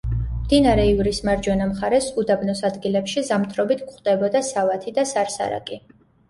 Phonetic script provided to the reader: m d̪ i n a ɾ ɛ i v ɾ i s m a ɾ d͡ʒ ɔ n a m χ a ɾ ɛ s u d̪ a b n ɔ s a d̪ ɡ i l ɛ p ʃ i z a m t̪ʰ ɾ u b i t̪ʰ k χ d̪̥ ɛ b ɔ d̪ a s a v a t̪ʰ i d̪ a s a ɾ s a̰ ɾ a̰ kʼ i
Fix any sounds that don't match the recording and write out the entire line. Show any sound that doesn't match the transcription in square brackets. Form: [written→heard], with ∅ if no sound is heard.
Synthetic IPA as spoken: m d̪ i n a ɾ ɛ i v ɾ i s m a ɾ d͡ʒ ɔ n a m χ a ɾ ɛ s u d̪ a b n ɔ s a d̪ ɡ i l ɛ p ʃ i z a m t̪ʰ ɾ [u→ɔ] b i t̪ʰ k χ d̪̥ ɛ b ɔ d̪ a s a v a t̪ʰ i d̪ a s a ɾ s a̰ ɾ a̰ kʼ i